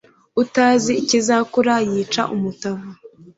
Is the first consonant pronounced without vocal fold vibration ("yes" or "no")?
yes